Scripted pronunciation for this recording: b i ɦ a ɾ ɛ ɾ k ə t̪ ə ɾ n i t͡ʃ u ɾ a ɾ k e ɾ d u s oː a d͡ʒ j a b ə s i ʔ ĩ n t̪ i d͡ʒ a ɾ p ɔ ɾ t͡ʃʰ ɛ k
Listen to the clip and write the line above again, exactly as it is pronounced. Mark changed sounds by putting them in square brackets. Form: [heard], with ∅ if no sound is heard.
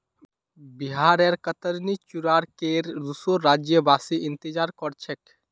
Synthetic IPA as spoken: b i ɦ a ɾ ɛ ɾ k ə t̪ ə ɾ n i t͡ʃ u ɾ a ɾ k e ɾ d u s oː a d͡ʒ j [ə] b [a] s i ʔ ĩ n t̪ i d͡ʒ a ɾ [k] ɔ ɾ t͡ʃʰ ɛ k